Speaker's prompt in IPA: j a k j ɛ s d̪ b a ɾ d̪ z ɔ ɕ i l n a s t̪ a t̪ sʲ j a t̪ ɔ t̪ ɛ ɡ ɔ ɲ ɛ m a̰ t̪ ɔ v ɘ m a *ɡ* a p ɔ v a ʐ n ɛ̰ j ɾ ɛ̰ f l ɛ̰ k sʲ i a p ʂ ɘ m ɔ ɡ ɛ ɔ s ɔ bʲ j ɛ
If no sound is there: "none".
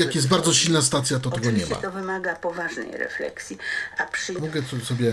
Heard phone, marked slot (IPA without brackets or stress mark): ɡ